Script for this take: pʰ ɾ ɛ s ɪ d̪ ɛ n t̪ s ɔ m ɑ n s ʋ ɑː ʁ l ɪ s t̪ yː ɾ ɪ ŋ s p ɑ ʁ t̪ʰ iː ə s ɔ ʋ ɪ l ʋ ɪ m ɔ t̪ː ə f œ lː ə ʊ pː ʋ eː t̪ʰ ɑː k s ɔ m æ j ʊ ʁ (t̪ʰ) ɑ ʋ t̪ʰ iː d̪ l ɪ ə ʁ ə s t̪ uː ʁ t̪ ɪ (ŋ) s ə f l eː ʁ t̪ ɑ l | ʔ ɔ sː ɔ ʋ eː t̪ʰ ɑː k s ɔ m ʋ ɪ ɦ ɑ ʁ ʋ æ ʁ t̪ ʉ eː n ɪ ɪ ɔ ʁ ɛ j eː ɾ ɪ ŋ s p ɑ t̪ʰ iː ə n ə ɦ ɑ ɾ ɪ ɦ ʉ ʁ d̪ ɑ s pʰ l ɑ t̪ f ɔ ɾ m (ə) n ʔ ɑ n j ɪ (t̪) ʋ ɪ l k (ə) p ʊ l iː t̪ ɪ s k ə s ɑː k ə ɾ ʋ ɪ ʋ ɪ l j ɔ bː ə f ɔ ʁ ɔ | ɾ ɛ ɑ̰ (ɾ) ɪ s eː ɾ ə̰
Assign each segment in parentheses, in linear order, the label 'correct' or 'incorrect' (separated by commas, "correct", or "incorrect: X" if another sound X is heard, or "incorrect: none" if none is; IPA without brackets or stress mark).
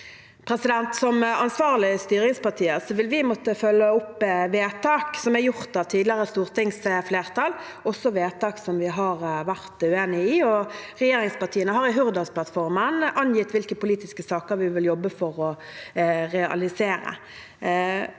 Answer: incorrect: t̪, correct, correct, correct, correct, incorrect: l